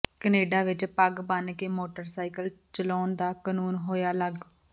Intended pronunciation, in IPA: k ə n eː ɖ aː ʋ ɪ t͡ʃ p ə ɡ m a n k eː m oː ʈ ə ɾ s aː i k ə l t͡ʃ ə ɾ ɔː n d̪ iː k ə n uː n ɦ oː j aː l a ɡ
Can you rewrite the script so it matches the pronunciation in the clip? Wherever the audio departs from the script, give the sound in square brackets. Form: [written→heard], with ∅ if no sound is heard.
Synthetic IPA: k ə n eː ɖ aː ʋ ɪ t͡ʃ p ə ɡ [m→b] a n k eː m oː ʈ ə ɾ s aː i k ə l t͡ʃ ə [ɾ→l] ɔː n d̪ [iː→aː] k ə n uː n ɦ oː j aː l [a→ə] ɡ